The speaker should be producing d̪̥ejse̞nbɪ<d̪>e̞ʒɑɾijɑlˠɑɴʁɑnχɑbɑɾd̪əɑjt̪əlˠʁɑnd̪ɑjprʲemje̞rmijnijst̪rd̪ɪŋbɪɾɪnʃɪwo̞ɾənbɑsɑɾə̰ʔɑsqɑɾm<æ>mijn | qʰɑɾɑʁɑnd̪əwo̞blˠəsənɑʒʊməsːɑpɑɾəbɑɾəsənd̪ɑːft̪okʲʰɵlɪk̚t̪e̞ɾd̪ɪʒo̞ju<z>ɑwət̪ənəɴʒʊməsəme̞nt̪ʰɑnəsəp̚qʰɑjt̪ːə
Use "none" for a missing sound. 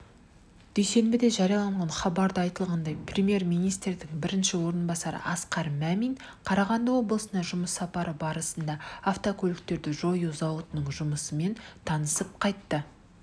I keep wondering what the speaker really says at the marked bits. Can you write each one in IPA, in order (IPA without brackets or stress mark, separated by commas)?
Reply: d̪, æ, z